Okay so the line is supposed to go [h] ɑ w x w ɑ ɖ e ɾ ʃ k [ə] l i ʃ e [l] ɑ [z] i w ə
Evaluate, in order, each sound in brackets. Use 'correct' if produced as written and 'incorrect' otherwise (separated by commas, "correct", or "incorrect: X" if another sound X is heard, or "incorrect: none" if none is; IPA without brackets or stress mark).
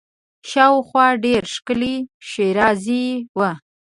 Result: incorrect: ʃ, correct, incorrect: ɾ, correct